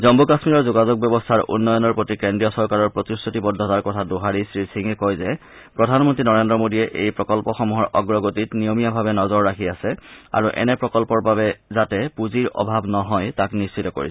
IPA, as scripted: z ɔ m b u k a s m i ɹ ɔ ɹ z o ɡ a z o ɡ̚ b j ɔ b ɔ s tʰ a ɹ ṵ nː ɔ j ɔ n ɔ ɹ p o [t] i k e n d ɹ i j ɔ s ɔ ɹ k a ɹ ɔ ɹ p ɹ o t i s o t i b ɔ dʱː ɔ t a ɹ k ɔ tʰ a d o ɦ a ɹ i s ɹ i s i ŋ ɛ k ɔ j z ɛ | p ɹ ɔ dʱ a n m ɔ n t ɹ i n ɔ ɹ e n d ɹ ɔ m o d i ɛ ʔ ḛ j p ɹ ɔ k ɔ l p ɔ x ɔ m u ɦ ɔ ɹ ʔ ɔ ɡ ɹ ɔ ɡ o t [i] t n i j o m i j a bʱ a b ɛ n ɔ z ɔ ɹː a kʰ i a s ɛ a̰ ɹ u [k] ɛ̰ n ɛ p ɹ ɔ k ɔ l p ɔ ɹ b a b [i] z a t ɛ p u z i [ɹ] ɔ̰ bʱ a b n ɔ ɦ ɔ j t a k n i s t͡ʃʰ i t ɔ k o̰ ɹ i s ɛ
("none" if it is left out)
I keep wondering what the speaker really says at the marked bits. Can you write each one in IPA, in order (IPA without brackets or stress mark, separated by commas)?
t, i, ʔ, ɛ, ɹ